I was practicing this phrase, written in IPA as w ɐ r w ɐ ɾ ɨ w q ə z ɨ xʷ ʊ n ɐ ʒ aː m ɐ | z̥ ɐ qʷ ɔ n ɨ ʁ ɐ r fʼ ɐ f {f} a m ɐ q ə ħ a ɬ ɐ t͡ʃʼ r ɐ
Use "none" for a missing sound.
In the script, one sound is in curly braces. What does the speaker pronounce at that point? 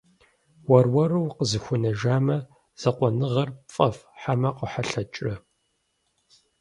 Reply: ħ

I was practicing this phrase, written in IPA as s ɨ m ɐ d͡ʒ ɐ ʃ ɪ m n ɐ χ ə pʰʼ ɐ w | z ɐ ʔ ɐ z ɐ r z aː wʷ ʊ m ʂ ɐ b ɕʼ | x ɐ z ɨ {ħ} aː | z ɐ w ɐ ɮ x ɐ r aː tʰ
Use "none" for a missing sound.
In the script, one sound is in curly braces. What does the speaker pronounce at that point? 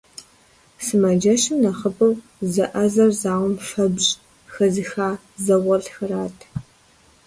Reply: x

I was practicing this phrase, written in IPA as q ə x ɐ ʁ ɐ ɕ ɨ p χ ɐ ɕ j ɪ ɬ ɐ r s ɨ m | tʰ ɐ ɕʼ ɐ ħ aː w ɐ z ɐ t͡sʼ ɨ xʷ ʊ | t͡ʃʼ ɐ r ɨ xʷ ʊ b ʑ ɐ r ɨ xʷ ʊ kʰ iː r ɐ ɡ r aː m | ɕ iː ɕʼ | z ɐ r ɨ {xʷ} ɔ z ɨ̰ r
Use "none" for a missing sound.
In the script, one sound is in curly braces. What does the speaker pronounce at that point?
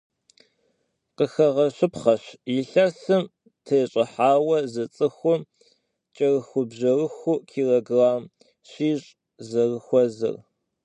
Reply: xʷ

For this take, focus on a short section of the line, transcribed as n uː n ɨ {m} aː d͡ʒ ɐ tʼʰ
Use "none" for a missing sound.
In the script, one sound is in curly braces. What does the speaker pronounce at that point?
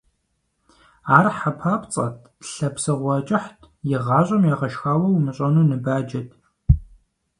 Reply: b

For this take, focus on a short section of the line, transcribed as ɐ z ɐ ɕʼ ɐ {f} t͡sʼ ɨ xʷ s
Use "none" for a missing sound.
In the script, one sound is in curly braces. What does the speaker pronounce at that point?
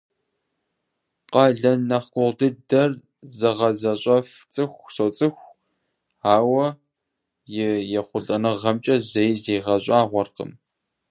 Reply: f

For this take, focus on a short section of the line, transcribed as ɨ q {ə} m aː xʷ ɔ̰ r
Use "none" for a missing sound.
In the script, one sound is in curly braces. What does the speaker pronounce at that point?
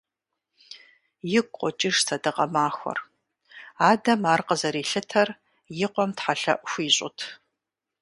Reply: ɐ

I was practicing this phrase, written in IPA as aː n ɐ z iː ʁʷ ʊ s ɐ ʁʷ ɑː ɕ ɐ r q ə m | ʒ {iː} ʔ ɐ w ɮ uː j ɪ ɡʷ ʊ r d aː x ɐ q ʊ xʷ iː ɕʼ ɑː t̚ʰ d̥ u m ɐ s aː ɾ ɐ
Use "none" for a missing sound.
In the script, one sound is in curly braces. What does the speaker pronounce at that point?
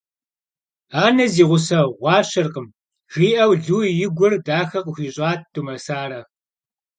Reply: iː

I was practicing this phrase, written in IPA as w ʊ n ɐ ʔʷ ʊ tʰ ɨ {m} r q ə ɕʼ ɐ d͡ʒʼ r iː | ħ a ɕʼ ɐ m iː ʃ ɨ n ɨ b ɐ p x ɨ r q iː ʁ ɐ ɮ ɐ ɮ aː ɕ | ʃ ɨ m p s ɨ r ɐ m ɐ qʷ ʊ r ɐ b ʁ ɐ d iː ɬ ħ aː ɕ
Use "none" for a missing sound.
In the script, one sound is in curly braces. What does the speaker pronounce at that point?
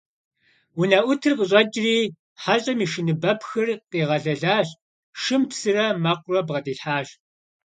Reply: none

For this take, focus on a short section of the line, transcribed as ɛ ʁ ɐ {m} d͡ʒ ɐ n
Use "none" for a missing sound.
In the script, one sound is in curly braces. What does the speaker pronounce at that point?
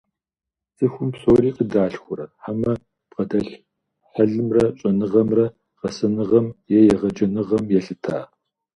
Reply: none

